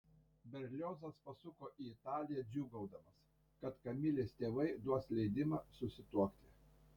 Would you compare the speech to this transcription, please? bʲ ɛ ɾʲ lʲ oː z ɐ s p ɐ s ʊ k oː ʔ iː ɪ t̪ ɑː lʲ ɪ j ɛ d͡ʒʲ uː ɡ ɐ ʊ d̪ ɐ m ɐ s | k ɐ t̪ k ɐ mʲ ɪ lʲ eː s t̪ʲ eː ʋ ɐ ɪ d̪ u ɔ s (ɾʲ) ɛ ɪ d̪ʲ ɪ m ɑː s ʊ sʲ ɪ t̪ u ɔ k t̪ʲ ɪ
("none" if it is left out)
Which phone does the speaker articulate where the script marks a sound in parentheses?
lʲ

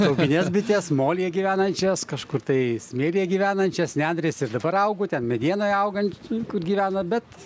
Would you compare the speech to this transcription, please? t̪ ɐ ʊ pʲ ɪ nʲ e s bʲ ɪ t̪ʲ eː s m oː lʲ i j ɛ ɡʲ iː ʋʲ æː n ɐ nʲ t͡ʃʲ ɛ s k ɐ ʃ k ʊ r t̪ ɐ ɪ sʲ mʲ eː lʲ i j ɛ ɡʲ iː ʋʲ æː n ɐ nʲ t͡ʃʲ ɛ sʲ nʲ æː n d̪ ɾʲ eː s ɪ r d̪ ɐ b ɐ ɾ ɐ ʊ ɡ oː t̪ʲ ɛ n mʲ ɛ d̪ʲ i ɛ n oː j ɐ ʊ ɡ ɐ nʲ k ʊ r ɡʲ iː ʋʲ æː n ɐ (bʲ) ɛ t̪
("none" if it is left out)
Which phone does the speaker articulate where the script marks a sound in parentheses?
bʲ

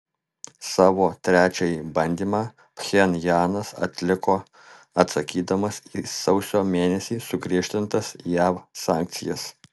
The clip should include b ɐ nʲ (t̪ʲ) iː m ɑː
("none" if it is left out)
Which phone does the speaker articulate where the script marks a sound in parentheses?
d̪ʲ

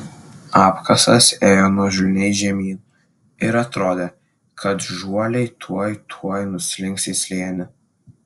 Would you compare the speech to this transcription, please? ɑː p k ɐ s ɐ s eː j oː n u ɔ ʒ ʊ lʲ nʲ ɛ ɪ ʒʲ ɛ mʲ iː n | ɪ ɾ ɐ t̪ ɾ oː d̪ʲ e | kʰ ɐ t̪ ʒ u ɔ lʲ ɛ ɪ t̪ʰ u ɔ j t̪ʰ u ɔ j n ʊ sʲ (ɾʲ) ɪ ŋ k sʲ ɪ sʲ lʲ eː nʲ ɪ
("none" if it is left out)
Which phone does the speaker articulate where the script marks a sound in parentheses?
lʲ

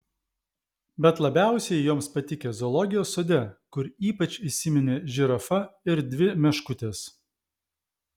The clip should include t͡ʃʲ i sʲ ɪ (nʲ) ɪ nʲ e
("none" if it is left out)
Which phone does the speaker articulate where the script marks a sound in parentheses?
mʲ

